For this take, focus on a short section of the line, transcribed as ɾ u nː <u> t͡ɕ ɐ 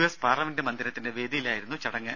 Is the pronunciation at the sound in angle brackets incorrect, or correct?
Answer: correct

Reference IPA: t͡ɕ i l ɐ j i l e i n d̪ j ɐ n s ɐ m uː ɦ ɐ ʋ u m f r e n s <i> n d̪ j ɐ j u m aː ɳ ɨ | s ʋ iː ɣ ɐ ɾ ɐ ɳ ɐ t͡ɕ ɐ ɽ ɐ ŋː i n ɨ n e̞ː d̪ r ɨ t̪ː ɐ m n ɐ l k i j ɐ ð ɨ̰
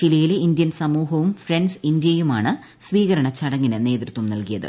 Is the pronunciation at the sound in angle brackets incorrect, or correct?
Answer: correct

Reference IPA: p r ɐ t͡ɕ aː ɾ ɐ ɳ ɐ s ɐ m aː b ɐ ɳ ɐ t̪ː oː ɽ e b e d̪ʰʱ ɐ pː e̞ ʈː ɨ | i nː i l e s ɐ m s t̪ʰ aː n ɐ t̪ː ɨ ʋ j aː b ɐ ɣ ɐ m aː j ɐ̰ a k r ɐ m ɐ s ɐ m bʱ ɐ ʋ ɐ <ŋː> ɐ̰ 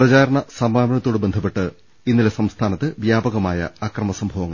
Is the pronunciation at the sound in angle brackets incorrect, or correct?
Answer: correct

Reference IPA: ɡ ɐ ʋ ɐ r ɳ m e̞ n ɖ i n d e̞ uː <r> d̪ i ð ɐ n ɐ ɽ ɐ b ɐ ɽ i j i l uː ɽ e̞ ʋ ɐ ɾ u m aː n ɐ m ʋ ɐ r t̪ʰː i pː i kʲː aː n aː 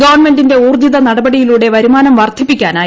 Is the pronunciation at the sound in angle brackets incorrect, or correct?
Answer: correct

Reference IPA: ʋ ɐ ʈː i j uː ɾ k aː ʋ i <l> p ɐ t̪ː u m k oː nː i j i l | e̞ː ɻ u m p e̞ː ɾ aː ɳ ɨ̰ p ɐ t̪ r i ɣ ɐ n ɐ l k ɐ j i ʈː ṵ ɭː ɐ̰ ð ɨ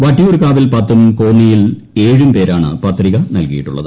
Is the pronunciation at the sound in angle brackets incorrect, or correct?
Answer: correct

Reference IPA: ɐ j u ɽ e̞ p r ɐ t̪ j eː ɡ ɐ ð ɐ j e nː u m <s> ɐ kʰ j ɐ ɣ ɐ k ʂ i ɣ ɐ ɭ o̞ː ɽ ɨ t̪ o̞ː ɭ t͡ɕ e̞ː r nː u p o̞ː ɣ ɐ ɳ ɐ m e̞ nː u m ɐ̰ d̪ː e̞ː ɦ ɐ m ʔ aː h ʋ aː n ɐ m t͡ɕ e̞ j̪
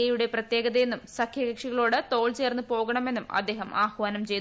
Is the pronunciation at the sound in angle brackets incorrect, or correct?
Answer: correct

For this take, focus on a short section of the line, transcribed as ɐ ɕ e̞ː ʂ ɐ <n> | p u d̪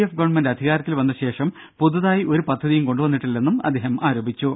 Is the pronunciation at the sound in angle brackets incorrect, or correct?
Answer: incorrect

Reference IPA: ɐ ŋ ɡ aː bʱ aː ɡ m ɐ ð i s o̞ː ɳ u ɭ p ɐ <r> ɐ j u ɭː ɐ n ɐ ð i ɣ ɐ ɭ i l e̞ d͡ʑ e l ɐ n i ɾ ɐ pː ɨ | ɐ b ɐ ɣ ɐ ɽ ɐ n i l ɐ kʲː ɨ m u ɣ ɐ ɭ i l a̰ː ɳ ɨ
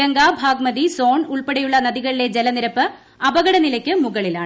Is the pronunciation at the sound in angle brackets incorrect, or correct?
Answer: incorrect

